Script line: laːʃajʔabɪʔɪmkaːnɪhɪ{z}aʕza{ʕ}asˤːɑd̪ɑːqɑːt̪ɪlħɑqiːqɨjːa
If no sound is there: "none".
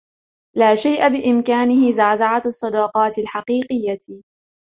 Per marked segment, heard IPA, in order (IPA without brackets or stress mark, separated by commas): z, ʕ